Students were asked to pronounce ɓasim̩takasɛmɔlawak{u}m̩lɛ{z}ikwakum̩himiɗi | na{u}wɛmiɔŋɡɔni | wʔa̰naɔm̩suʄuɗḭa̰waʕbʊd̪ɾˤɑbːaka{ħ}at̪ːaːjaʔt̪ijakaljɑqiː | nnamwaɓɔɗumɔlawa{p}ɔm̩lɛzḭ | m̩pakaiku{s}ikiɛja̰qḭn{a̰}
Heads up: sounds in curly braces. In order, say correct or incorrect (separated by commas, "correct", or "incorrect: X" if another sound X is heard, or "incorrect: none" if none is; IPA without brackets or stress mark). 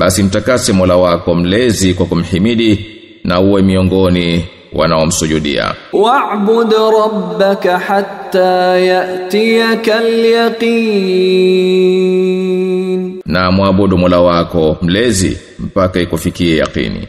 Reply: incorrect: ɔ, correct, correct, correct, incorrect: k, incorrect: f, incorrect: ḭ